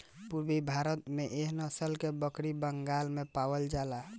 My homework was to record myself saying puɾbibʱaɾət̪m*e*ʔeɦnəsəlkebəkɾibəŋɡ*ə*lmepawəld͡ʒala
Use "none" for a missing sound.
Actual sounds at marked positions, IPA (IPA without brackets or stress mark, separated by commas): e, a